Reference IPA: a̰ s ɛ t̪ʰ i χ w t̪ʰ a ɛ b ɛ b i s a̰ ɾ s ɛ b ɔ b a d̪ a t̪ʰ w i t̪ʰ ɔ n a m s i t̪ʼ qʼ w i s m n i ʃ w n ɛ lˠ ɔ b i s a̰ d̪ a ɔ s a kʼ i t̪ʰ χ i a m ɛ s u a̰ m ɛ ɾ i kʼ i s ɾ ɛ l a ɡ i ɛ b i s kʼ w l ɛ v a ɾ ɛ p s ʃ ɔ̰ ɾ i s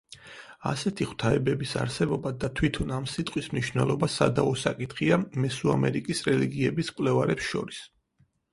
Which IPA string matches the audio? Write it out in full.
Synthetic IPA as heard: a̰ s ɛ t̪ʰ i χ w t̪ʰ a ɛ b ɛ b i s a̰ ɾ s ɛ b ɔ b a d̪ a t̪ʰ w i t̪ʰ ɔ n a m s i t̪ʼ qʼ w i s m n i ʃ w n ɛ lˠ ɔ b a s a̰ d̪ a ɔ s a kʼ i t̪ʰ χ i a m ɛ s u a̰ m ɛ ɾ i kʼ i s ɾ ɛ l i ɡ i ɛ b i s kʼ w l ɛ v a ɾ ɛ p s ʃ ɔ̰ ɾ i s

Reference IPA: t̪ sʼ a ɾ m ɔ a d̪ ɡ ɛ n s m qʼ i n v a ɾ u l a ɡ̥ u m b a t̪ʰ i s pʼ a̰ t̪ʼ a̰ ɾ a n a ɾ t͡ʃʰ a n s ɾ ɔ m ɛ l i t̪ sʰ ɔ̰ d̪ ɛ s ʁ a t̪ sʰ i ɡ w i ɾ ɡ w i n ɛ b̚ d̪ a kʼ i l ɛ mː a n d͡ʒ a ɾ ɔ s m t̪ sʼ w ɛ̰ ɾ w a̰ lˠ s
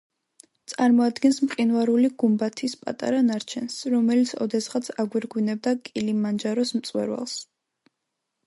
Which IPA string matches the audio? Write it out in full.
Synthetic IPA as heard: t̪ sʼ a ɾ m ɔ a d̪ ɡ ɛ n s m qʼ i n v a ɾ u l i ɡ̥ u m b a t̪ʰ i s pʼ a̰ t̪ʼ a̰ ɾ a n a ɾ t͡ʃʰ ɛ n s ɾ ɔ m ɛ l i t̪ sʰ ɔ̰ d̪ ɛ s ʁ a t̪ sʰ a ɡ w i ɾ ɡ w i n ɛ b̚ d̪ a kʼ i l i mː a n d͡ʒ a ɾ ɔ s m t̪ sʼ w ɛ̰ ɾ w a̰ lˠ s

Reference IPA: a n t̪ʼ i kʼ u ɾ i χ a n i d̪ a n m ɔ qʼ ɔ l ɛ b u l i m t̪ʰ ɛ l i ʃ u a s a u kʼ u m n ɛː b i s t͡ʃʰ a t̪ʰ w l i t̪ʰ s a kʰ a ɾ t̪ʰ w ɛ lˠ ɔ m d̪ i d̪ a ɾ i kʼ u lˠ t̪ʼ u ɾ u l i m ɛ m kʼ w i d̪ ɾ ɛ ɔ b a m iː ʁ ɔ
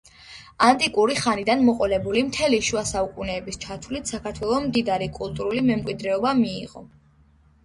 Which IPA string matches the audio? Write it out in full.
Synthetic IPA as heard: a n t̪ʼ i kʼ u ɾ i χ a n i d̪ a n m ɔ qʼ ɔ l ɛ b u l i m t̪ʰ ɛ l i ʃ u a s a u kʼ u n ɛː b i s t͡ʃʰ a t̪ʰ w l i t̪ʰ s a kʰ a ɾ t̪ʰ w ɛ lˠ ɔ m d̪ i d̪ a ɾ i kʼ u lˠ t̪ʼ u ɾ u l i m ɛ m kʼ w i d̪ ɾ ɛ ɔ b a m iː ʁ ɔ

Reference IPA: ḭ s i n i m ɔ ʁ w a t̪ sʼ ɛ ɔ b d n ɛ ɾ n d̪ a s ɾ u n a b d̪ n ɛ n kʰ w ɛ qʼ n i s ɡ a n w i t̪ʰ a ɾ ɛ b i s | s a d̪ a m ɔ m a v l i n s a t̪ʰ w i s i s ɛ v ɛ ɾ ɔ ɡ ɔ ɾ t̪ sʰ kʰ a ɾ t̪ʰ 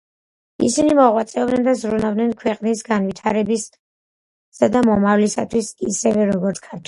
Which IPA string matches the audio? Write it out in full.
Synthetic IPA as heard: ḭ s i n i m ɔ ʁ w a t̪ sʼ ɛ ɔ b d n ɛ n d̪ a z ɾ u n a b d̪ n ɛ n kʰ w ɛ qʼ n i s ɡ a n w i t̪ʰ a ɾ ɛ b i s | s a d̪ a m ɔ m a v l i s a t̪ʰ w i s i s ɛ v ɛ ɾ ɔ ɡ ɔ ɾ t̪ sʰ kʰ a ɾ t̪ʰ

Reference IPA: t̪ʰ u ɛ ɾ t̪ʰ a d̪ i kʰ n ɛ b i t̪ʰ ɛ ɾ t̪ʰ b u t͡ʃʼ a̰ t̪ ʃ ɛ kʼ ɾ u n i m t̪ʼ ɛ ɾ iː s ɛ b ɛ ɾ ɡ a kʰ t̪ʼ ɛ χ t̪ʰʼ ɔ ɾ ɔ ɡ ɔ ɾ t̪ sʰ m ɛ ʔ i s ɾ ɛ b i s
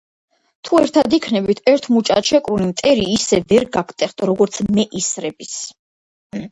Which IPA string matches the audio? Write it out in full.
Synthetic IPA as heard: t̪ʰ u ɛ ɾ t̪ʰ a d̪ i kʰ n ɛ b i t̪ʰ ɛ ɾ t̪ʰ m u t͡ʃʼ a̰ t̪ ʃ ɛ kʼ ɾ u n i m t̪ʼ ɛ ɾ iː s ɛ v ɛ ɾ ɡ a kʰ t̪ʼ ɛ χ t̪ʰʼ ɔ ɾ ɔ ɡ ɔ ɾ t̪ sʰ m ɛ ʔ i s ɾ ɛ b i s

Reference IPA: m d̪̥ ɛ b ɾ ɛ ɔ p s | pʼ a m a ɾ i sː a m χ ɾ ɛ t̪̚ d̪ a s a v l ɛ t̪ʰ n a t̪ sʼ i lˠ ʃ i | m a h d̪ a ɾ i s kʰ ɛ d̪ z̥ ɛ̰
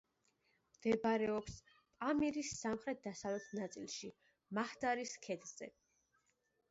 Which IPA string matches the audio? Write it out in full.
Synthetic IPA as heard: m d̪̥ ɛ b ɾ ɛ ɔ p s | pʼ a m i ɾ i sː a m χ ɾ ɛ t̪̚ d̪ a s a v l ɛ t̪ʰ n a t̪ sʼ i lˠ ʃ i | m a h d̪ a ɾ i s kʰ ɛ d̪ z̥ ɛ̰

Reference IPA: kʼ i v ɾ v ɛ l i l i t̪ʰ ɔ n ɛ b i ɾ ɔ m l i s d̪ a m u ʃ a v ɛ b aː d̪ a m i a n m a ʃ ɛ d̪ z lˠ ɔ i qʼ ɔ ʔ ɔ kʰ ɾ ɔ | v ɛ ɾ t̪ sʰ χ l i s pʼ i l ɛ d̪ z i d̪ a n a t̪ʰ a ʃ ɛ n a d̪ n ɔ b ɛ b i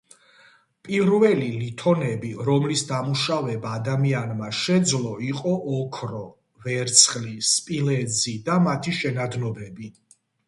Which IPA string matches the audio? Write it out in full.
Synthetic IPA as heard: pʼ i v ɾ v ɛ l i l i t̪ʰ ɔ n ɛ b i ɾ ɔ m l i s d̪ a m u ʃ a v ɛ b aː d̪ a m i a n m a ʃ ɛ d̪ z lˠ ɔ i qʼ ɔ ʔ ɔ kʰ ɾ ɔ | v ɛ ɾ t̪ sʰ χ l i s pʼ i l ɛ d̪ z i d̪ a m a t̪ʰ i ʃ ɛ n a d̪ n ɔ b ɛ b i

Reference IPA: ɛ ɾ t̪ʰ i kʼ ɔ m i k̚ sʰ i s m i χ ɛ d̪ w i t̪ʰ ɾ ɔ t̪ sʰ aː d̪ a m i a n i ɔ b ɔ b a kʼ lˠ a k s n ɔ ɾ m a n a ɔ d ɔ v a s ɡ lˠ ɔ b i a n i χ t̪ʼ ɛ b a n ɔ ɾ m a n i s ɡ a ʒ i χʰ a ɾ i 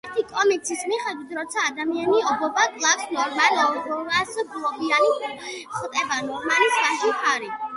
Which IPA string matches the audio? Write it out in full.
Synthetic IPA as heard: ɛ ɾ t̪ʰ i kʼ ɔ m i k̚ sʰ i s m i χ ɛ d̪ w i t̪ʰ ɾ ɔ t̪ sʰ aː d̪ a m i a n i ɔ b ɔ b a kʼ lˠ a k s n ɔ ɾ m a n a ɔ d ɔ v a s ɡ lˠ ɔ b i a n i χ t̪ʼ ɛ b a n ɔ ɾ m a n i s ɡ a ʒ i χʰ a ɾ i

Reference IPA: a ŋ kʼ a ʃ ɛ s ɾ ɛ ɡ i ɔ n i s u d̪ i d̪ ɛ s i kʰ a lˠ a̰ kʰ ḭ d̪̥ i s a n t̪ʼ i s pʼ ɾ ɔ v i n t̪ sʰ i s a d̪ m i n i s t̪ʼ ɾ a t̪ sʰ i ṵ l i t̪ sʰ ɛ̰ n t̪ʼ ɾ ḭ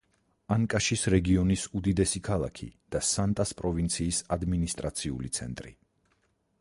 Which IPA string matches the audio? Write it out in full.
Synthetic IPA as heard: a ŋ kʼ a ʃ i s ɾ ɛ ɡ i ɔ n i s u d̪ i d̪ ɛ s i kʰ a lˠ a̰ kʰ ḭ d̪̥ a s a n t̪ʼ a s pʼ ɾ ɔ v i n t̪ sʰ iː s a d̪ m i n i s t̪ʼ ɾ a t̪ sʰ i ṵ l i t̪ sʰ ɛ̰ n t̪ʼ ɾ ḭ

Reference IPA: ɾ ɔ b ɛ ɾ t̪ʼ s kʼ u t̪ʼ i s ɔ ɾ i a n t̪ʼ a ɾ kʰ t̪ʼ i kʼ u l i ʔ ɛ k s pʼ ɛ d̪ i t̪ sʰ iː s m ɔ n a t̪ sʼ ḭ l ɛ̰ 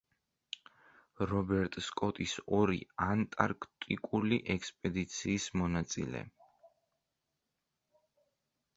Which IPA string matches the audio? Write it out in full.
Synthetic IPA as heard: ɾ ɔ b ɛ ɾ t̪ʼ s kʼ ɔ t̪ʼ i s ɔ ɾ i a n t̪ʼ a ɾ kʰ t̪ʼ i kʼ u l i ʔ ɛ k s pʼ ɛ d̪ i t̪ sʰ iː s m ɔ n a t̪ sʼ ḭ l ɛ̰

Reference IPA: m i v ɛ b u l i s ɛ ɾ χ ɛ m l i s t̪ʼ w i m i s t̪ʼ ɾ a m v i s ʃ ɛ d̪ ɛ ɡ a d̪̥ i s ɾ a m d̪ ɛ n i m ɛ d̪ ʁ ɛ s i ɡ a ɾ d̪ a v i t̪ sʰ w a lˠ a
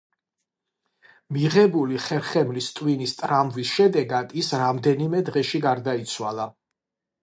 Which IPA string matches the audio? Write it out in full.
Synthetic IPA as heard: m i ʁ ɛ b u l i χ ɛ ɾ χ ɛ m l i s t̪ʼ w i n i s t̪ʼ ɾ a m v i s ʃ ɛ d̪ ɛ ɡ a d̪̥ i s ɾ a m d̪ ɛ n i m ɛ d̪ ʁ ɛ ʃ i ɡ a ɾ d̪ a i t̪ sʰ w a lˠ a

